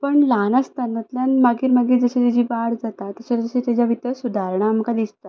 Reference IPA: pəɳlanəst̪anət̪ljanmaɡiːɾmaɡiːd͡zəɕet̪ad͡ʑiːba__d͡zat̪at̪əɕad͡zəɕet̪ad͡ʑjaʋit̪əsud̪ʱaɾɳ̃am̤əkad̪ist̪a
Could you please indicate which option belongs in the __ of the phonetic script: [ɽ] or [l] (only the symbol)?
ɽ